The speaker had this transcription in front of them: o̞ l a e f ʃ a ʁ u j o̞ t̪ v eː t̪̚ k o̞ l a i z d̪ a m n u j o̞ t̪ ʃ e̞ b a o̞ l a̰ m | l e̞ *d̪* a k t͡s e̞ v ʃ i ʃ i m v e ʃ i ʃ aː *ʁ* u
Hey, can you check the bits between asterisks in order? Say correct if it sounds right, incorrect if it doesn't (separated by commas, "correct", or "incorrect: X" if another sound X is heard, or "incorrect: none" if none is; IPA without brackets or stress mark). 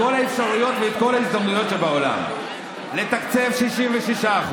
incorrect: t̪, incorrect: χ